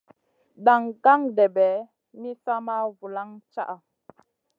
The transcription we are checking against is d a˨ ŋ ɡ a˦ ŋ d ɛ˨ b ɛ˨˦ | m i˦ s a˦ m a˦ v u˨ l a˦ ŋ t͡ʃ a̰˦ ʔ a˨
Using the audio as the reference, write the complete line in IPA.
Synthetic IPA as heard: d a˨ ŋ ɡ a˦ ŋ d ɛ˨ b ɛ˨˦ | m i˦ s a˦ m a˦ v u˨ l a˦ ŋ t͡ʃ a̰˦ ʔ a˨